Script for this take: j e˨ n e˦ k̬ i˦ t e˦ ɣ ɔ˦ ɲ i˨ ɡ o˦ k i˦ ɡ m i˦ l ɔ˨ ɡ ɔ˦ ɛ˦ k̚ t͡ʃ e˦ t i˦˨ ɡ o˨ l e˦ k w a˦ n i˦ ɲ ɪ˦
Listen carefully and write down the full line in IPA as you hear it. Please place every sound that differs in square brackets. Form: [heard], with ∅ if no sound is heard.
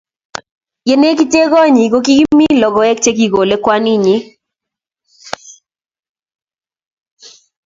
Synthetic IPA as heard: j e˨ n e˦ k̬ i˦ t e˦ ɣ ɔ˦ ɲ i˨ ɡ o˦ k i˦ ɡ m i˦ l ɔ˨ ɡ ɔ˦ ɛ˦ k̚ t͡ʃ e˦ [k] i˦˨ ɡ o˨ l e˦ k w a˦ n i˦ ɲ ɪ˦

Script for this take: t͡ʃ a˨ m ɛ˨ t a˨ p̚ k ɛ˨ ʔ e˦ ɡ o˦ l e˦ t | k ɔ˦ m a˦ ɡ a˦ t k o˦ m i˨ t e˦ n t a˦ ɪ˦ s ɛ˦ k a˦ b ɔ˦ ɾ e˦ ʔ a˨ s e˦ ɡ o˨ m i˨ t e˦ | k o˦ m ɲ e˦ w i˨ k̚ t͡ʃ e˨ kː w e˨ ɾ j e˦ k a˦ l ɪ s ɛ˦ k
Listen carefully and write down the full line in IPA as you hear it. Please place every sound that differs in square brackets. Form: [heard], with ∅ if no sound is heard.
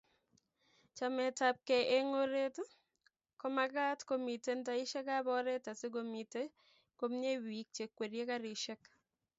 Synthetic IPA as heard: t͡ʃ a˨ m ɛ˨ t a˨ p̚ k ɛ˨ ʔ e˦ [ŋ] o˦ [ɾ] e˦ t | k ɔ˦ m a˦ ɡ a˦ t k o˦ m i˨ t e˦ n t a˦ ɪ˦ [ʃ] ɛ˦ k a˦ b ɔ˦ ɾ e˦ [t] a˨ s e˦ ɡ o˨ m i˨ t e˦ | k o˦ m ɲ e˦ w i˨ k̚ t͡ʃ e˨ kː w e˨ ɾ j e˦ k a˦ [ɾ] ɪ [ʃ] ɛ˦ k

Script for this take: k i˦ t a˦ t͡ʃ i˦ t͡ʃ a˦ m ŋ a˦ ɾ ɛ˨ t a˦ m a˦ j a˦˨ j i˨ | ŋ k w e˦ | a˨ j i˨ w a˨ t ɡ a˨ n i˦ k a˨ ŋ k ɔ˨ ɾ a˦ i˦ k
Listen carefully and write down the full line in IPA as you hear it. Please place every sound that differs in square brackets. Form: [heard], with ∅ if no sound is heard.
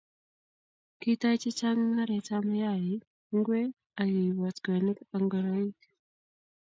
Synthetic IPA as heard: k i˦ t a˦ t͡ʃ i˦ t͡ʃ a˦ [ŋ] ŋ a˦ ɾ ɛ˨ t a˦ m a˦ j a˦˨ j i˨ | ŋ [ɡ] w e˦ | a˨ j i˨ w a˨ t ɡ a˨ n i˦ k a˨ ŋ [ɡ] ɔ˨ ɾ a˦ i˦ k

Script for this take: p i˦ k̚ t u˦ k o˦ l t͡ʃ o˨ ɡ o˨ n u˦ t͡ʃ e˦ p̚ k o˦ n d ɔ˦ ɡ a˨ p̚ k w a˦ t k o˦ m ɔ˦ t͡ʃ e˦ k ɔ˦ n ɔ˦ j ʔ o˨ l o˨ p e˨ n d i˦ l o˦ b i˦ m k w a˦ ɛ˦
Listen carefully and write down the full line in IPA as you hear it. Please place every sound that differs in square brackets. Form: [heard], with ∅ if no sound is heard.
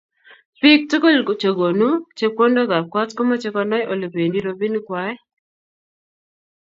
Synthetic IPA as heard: p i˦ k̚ t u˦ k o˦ l t͡ʃ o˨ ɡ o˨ n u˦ t͡ʃ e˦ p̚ k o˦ n d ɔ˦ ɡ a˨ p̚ k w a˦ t k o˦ m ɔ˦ t͡ʃ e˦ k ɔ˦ n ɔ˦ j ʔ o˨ l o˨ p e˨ n d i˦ [ɾ] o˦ b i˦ [n] k w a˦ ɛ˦

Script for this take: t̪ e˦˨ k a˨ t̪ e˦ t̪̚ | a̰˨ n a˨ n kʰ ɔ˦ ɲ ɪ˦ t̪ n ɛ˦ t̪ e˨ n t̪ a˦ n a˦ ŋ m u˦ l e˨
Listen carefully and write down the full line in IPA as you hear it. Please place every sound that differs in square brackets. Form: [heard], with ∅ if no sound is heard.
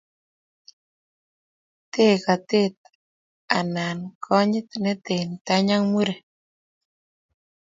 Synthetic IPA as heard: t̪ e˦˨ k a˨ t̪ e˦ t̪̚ | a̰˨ n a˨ n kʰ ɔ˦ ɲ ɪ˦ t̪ n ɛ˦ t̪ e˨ n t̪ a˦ [ɲ] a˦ ŋ m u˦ [ɾ] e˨

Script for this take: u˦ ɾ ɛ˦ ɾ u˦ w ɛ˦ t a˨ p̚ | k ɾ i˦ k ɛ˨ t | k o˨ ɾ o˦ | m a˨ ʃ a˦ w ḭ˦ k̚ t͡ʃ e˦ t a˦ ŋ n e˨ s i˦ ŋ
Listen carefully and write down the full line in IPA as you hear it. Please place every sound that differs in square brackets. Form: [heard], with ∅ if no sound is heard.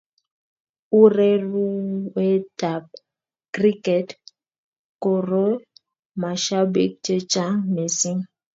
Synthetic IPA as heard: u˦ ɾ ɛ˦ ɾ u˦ w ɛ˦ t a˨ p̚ | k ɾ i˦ k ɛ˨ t | k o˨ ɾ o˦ | m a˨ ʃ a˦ [b] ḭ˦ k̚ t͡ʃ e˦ [t͡ʃ] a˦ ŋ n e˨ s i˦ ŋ

